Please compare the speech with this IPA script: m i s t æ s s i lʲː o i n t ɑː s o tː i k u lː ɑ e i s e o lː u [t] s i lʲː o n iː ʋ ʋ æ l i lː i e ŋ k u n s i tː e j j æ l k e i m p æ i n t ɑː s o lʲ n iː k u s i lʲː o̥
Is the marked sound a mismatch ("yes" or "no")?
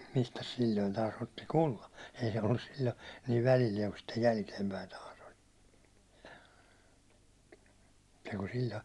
yes